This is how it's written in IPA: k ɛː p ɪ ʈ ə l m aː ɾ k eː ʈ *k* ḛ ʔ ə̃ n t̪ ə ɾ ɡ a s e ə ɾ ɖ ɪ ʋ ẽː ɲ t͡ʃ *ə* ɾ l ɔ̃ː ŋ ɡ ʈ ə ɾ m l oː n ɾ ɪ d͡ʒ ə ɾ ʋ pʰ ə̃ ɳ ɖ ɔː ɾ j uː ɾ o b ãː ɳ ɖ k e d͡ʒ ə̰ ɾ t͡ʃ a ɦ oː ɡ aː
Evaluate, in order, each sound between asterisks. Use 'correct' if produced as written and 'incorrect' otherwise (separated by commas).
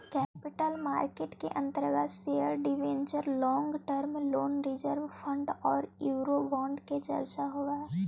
correct, correct